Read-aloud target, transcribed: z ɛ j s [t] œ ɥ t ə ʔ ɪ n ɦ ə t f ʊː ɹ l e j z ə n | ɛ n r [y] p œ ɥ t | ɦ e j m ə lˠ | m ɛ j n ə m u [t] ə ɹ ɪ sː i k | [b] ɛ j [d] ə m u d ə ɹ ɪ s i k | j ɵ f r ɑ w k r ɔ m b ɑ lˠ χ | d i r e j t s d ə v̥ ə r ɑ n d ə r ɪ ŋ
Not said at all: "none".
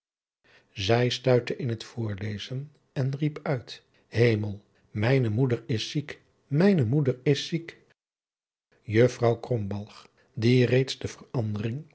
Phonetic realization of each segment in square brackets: t, i, d, m, n

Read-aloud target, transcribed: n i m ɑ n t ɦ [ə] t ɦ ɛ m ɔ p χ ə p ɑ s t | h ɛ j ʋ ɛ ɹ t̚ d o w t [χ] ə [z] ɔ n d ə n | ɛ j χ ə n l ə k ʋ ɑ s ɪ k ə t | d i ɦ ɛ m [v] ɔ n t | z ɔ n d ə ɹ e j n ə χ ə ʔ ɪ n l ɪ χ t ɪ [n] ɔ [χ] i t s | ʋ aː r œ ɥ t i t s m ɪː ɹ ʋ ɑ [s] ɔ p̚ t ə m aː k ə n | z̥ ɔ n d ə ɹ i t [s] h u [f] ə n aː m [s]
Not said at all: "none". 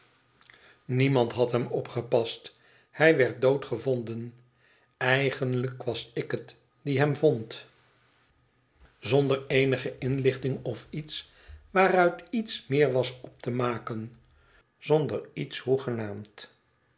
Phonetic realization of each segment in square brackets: ɑ, χ, v, v, ŋ, f, s, s, χ, t

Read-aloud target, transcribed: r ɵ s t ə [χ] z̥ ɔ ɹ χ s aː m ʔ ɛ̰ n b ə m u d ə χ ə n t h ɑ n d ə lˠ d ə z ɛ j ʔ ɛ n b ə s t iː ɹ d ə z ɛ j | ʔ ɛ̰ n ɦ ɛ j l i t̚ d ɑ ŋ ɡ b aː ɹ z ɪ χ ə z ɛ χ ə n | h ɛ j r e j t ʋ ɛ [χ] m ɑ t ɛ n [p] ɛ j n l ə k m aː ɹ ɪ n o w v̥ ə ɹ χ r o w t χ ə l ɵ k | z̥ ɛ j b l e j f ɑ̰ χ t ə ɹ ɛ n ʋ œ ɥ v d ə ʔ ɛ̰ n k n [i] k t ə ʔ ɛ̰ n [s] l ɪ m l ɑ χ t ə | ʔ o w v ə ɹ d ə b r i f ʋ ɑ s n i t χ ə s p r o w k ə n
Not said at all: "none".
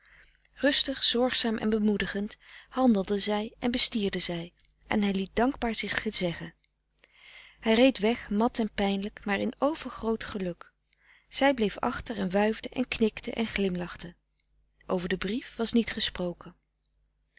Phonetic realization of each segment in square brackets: χ, χ, p, ɪ, χ

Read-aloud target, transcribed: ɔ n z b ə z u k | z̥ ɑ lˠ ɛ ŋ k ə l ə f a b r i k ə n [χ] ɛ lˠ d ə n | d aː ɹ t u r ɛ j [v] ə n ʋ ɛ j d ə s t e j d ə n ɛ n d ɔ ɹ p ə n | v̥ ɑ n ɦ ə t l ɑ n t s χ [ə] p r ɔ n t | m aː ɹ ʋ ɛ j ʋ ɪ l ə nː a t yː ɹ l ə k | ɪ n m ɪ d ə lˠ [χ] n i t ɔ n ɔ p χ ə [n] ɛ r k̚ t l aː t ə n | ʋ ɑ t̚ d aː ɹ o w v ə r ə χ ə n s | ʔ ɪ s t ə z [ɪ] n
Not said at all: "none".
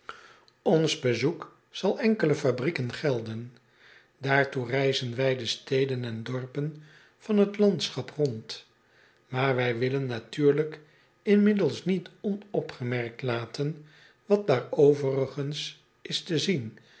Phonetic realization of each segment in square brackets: χ, z, ɑ, s, m, i

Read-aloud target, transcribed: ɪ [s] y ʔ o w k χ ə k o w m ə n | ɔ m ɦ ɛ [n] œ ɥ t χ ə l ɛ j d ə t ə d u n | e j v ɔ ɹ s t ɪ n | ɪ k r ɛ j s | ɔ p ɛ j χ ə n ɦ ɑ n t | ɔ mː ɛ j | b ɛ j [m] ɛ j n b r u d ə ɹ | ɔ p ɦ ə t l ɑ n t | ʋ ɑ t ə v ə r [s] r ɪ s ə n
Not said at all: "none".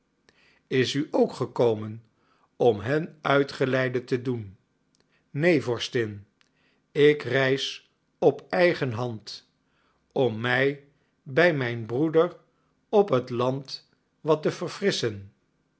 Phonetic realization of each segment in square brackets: s, n, m, f

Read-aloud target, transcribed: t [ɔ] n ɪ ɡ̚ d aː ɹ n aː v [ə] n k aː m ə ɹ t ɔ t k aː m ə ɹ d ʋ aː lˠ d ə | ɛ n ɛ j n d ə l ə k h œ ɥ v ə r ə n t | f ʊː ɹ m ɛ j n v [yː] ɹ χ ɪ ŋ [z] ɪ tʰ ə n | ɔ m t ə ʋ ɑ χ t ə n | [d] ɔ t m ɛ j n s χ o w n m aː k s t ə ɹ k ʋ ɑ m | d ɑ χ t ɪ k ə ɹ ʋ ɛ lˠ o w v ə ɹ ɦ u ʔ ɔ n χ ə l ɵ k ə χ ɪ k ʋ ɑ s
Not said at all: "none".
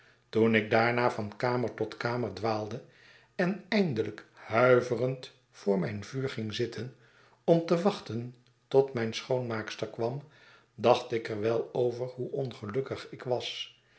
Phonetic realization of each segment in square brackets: u, ɑ, yː, z, t

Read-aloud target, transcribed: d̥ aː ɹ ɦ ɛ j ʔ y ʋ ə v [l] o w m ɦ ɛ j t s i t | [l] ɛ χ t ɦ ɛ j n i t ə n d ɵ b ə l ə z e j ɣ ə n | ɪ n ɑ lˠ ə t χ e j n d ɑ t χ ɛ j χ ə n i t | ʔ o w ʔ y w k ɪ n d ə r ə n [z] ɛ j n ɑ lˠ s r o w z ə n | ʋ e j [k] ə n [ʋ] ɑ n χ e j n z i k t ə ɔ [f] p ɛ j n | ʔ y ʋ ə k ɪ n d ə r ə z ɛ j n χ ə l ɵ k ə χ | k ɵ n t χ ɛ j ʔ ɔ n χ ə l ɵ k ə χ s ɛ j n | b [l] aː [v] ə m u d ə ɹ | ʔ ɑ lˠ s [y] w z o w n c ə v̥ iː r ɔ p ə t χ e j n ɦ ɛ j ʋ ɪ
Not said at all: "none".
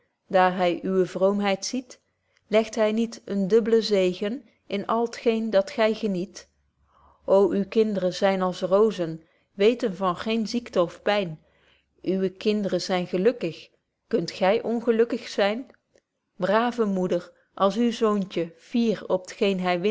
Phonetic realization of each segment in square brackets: r, l, z, t, v, f, r, v, y

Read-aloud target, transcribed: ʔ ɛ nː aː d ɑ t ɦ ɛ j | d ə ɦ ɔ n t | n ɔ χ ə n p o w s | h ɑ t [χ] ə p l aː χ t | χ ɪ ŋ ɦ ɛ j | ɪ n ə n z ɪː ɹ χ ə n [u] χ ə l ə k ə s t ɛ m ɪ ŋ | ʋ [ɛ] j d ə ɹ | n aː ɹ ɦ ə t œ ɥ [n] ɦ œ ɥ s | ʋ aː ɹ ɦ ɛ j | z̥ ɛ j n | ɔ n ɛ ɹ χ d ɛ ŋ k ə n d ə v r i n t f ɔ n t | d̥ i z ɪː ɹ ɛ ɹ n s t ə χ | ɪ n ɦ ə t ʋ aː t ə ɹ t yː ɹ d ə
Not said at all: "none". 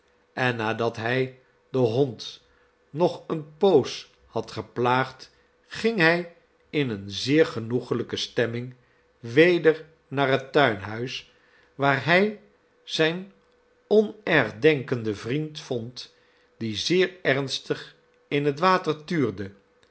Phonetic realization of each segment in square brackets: χ, u, e, n

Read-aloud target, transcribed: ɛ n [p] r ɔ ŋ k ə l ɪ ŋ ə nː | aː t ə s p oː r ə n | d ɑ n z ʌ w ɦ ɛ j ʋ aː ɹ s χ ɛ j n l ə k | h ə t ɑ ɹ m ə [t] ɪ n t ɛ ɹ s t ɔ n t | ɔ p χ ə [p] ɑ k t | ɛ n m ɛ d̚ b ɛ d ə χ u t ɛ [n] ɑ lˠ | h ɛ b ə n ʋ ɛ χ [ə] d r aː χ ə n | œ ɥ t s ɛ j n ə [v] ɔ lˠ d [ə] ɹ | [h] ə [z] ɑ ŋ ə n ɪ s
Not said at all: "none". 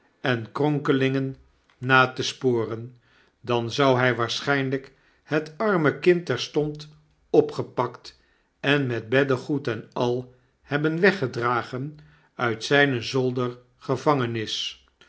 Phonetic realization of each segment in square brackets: k, k, p, n, ə, z, ə, χ, v

